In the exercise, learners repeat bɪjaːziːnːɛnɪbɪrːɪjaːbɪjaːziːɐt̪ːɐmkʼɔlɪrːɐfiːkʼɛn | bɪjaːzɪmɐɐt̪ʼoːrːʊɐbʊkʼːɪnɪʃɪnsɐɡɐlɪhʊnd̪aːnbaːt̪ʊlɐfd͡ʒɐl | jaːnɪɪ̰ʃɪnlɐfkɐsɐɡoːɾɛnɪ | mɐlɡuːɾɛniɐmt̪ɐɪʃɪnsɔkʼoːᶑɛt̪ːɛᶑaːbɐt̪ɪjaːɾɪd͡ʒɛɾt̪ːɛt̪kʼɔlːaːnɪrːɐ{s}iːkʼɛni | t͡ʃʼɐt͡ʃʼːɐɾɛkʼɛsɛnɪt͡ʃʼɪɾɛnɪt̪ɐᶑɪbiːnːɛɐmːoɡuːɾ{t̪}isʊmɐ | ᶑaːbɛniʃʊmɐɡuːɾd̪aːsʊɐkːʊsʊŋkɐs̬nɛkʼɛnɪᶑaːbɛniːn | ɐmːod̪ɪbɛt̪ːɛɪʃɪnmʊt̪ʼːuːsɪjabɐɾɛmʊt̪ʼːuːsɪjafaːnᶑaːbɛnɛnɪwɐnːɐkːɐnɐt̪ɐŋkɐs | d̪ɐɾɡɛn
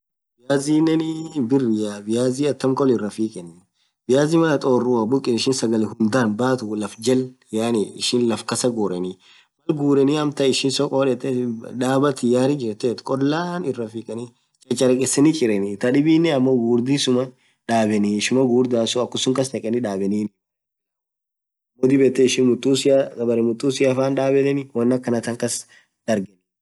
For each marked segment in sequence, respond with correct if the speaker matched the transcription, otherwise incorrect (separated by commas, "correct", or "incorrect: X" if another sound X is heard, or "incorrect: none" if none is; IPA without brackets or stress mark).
incorrect: f, incorrect: d̪